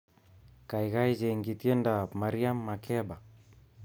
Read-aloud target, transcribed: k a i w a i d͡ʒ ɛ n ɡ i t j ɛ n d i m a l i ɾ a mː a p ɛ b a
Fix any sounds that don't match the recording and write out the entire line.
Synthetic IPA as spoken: k a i ɣ a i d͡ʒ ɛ ŋ ɡ i t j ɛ n d a m a ɾ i a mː a k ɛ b a